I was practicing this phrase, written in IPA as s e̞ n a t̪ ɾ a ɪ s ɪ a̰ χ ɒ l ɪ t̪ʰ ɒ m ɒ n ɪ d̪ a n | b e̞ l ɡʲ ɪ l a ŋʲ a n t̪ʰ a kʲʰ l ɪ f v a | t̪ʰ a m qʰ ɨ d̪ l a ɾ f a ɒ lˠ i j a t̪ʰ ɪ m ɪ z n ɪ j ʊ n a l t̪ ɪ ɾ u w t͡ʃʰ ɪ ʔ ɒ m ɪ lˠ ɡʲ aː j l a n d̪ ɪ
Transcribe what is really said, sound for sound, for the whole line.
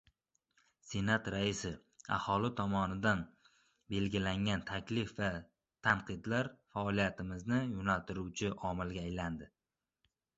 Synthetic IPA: s e̞ n a t̪ ɾ a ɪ s ɪ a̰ h ɒ l ɪ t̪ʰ ɒ m ɒ n ɪ d̪ a n | b e̞ l ɡʲ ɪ l a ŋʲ a n t̪ʰ a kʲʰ l ɪ f v a | t̪ʰ a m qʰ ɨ d̪ l a ɾ f a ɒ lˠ i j a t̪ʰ ɪ m ɪ z n ɪ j ʊ n a l t̪ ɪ ɾ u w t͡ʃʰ ɪ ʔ ɒ m ɪ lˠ ɡʲ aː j l a n d̪ ɪ